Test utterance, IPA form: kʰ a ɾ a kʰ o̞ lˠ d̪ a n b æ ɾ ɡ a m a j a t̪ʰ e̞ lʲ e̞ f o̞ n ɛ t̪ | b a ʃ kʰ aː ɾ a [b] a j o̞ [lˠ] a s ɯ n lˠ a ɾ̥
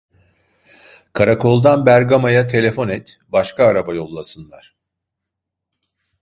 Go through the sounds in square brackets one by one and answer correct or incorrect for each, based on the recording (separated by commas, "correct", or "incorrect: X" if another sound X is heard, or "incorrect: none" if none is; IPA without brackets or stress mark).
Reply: correct, incorrect: lˠː